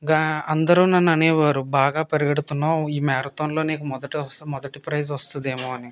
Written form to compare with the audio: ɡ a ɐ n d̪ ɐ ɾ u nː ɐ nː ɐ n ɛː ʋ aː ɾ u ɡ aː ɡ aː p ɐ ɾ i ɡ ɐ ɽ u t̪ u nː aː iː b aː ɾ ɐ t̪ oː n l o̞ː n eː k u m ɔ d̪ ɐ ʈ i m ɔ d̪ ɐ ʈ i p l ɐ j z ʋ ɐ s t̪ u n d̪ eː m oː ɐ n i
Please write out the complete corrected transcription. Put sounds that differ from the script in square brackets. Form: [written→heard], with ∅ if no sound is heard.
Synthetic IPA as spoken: ɡ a ɐ n d̪ ɐ ɾ u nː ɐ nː ɐ n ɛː ʋ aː ɾ u [ɡ→b] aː ɡ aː p ɐ ɾ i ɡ ɐ ɽ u t̪ u nː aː iː [b→m] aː ɾ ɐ t̪ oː n l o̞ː n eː k u m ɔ d̪ ɐ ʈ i m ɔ d̪ ɐ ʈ i p [l→ɾ] ɐ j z ʋ ɐ s t̪ u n d̪ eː m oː ɐ n i